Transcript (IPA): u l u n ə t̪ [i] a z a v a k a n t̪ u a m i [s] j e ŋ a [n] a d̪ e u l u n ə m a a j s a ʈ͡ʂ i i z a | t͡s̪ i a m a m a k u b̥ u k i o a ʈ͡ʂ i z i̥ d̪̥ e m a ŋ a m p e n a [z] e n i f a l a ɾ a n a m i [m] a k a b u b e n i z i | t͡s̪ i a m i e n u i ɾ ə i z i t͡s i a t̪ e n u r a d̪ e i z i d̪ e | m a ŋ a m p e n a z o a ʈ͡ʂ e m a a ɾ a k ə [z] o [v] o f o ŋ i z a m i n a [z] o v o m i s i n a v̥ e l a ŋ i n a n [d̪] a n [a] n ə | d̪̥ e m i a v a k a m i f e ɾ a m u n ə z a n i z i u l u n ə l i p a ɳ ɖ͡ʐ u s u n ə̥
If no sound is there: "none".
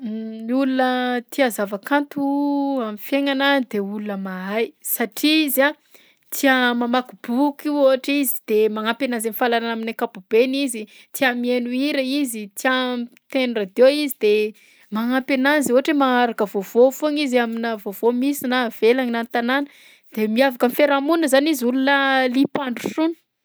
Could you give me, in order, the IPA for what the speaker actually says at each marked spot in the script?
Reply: i, f, n, z, n, v, v, v, t̪, a

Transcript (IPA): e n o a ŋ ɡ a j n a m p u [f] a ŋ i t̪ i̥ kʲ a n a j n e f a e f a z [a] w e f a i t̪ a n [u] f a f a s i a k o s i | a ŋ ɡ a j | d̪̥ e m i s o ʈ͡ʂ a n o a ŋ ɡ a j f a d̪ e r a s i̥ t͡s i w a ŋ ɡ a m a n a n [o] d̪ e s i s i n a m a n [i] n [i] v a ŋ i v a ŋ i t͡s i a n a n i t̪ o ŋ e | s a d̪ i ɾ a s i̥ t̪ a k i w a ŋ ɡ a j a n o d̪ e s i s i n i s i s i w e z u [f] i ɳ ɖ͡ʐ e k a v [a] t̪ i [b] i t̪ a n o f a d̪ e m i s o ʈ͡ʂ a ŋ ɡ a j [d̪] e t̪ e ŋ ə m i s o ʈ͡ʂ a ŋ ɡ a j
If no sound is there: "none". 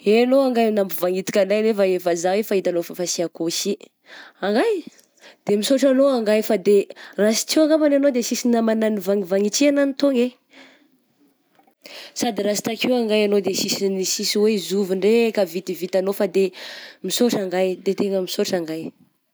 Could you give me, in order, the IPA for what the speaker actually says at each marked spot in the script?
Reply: v, a, o, o, a, i, v, i, v, d̪

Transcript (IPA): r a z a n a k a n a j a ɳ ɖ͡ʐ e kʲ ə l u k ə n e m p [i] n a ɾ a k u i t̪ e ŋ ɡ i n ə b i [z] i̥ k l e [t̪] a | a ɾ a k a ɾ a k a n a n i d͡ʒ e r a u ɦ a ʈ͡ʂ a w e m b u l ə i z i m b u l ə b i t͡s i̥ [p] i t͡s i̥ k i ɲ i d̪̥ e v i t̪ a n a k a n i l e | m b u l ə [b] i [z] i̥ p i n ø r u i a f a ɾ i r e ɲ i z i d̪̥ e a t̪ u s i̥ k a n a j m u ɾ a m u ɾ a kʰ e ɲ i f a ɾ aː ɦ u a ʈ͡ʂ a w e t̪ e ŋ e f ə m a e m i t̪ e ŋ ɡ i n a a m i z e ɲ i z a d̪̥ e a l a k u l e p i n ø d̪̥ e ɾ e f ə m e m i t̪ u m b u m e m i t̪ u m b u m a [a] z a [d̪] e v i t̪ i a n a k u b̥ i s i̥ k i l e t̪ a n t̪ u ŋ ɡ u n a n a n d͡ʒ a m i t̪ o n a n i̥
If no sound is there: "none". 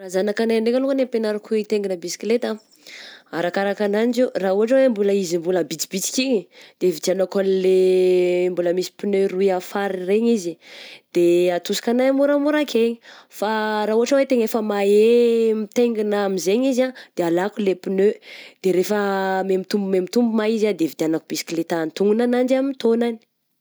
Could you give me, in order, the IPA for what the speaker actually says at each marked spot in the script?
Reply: e, s, t̪, b, m, s, i, d̪

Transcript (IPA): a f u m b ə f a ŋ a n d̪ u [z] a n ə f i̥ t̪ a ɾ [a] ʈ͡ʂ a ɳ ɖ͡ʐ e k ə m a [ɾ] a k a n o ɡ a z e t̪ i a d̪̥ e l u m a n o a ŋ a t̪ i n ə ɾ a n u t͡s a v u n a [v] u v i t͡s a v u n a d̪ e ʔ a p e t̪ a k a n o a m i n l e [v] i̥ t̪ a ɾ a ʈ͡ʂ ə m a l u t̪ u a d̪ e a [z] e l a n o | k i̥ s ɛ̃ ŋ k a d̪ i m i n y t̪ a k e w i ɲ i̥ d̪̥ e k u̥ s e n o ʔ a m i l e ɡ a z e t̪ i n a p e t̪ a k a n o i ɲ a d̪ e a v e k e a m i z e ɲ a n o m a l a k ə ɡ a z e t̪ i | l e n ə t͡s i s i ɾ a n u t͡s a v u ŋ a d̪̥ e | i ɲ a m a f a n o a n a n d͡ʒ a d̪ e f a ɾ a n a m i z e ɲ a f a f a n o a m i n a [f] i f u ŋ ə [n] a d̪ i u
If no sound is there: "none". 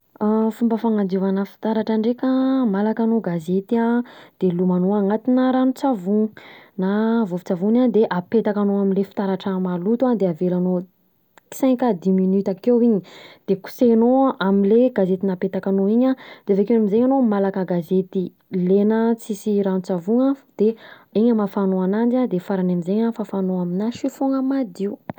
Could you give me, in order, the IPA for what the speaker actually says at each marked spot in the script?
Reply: v, a, l, v, f, v, ʃ, m

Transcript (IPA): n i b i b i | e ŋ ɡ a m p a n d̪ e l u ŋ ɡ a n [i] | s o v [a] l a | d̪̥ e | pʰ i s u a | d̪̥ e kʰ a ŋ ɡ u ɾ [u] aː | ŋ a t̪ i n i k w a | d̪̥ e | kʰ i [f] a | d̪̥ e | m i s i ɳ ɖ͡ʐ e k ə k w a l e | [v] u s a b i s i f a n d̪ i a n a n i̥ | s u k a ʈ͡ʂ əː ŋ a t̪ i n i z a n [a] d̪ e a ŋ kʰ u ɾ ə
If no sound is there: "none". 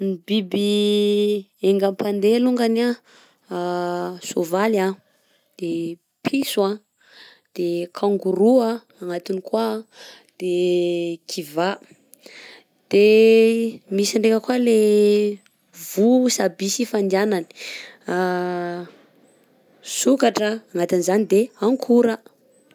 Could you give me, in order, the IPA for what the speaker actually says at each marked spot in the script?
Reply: a, a, u, v, v, i

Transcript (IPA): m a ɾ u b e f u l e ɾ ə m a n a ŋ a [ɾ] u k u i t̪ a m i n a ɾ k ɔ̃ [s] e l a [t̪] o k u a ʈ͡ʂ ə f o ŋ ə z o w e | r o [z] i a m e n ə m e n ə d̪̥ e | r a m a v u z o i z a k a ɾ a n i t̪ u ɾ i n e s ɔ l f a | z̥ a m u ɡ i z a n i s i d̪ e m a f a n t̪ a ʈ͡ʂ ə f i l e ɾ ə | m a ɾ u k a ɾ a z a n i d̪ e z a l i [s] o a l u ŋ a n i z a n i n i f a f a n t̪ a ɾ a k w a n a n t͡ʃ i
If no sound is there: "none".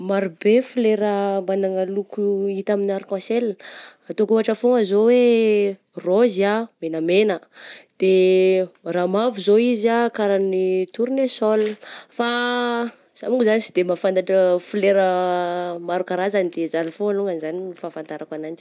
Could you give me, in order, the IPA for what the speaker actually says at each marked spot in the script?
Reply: l, s, t̪, z, f

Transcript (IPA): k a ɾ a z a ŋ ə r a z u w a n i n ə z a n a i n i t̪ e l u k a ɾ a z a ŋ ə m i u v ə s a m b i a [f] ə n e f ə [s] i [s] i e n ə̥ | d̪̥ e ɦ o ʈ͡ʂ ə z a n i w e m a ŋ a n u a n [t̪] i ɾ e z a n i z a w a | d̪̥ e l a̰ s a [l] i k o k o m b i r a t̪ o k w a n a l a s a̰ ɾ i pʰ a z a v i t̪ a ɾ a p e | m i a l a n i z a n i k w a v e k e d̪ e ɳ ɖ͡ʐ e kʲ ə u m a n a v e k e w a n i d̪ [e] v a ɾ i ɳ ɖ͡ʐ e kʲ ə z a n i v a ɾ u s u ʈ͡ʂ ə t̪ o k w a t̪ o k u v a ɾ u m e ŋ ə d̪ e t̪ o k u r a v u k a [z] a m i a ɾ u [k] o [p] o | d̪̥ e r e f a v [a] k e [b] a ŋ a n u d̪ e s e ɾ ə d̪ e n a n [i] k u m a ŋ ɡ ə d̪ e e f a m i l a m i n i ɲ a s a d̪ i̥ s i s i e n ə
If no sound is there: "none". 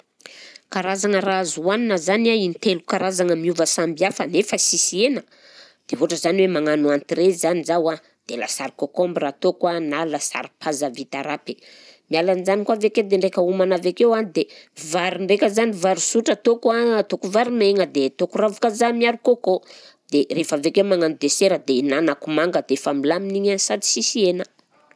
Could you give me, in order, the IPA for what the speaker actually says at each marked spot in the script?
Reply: f, s, s, t̪, ɾ, e, z, k, k, e, m, a

